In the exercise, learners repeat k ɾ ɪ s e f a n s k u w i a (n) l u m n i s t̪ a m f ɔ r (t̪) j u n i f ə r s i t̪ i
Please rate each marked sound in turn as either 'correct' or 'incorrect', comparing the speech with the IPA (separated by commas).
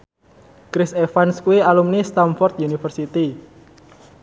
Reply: incorrect, correct